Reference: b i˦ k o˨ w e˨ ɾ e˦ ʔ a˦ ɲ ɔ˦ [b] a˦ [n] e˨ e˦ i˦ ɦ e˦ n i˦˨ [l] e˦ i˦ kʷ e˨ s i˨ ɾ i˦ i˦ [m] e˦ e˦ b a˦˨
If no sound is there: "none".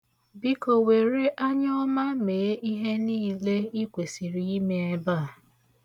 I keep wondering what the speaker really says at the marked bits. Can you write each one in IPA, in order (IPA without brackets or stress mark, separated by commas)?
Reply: m, m, l, m